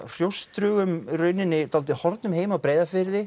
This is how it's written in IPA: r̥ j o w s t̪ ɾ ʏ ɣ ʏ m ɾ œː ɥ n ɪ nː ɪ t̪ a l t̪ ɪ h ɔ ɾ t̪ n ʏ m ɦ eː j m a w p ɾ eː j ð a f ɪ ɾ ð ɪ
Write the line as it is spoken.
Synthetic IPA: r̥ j o w s t̪ ɾ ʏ ɣ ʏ m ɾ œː ɥ n ɪ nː ɪ t̪ a l t̪ ɪ h ɔ ɾ t̪ n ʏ m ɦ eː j m a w p ɾ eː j ð a f ɪ ɾ ð ɪ